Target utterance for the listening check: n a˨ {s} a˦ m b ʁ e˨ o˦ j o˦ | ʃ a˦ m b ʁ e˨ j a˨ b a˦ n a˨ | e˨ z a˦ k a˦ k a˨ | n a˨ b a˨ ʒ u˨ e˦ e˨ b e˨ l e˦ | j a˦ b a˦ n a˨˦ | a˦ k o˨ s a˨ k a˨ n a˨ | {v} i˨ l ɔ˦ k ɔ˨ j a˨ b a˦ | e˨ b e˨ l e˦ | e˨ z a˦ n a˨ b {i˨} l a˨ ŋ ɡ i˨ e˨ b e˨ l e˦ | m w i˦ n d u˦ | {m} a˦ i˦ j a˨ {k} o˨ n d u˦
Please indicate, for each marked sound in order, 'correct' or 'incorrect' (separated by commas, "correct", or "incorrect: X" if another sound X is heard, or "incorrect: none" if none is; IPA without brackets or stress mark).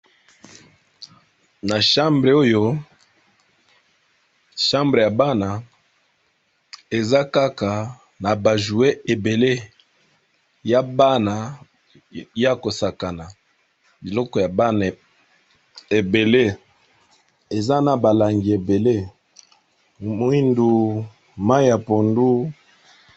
incorrect: ʃ, incorrect: b, incorrect: a˨, correct, incorrect: p